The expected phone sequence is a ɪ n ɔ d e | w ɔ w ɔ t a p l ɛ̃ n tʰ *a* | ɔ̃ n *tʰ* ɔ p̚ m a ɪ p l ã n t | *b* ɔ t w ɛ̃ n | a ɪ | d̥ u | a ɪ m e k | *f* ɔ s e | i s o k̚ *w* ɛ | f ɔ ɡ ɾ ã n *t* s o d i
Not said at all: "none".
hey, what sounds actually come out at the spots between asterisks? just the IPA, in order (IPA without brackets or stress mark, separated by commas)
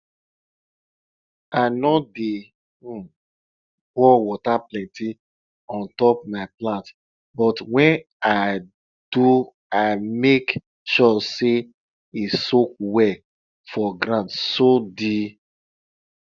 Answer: i, t, b, ʃ, w, t